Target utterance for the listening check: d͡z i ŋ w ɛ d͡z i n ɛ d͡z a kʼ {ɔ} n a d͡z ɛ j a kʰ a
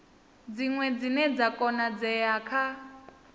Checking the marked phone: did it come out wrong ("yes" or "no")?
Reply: no